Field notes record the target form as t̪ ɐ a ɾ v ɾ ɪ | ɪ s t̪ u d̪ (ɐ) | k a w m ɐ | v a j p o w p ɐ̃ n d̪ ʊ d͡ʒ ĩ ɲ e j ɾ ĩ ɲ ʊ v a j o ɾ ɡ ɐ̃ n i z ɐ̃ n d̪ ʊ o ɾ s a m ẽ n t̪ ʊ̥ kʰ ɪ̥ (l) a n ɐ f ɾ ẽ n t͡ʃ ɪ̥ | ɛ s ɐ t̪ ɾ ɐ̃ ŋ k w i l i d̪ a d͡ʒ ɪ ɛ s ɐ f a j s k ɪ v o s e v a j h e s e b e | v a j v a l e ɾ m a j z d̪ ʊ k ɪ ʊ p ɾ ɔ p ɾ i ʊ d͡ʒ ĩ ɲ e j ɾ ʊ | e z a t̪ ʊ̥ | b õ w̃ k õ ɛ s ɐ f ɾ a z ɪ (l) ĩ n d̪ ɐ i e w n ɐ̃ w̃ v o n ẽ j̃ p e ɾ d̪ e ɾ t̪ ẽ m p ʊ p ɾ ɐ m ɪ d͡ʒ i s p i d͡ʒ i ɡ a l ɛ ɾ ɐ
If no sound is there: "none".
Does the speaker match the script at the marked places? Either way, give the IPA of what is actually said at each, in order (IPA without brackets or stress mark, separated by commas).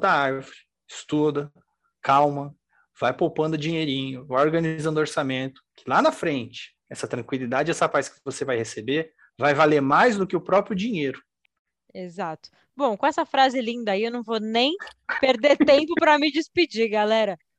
ɐ, l, l